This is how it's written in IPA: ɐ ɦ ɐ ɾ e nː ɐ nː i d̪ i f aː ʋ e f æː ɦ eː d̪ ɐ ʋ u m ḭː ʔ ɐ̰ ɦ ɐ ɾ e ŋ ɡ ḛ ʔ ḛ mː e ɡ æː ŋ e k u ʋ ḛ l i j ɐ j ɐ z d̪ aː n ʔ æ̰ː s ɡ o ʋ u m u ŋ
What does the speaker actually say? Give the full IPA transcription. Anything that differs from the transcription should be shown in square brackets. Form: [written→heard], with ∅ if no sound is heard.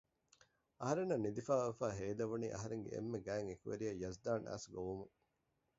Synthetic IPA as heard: ɐ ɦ ɐ ɾ e nː ɐ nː i d̪ i f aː ʋ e f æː ɦ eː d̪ ɐ ʋ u [m→n] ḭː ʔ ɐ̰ ɦ ɐ ɾ e ŋ ɡ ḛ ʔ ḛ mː e ɡ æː ŋ e k u ʋ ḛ [l→ɾ] i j ɐ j ɐ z d̪ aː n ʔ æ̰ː s ɡ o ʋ u m u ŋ